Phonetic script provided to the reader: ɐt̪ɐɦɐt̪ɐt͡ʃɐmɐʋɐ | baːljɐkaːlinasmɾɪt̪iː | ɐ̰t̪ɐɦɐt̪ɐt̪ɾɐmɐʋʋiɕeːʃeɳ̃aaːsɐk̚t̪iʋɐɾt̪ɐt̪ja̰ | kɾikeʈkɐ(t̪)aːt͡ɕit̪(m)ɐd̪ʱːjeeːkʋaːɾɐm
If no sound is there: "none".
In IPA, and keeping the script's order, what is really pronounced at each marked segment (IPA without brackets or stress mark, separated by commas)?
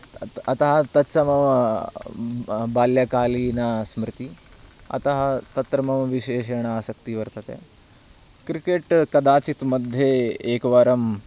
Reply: d̪, m